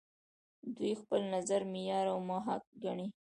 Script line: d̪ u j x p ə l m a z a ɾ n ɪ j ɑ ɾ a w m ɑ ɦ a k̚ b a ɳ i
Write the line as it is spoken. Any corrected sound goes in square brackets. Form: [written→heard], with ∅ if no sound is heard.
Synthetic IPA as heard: d̪ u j x p ə l [m→n] a z a ɾ [n→m] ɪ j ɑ ɾ a w m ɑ ɦ a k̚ [b→ɡ] a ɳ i